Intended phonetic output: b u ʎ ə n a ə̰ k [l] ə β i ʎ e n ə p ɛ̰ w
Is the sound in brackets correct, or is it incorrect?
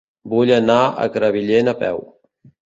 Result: incorrect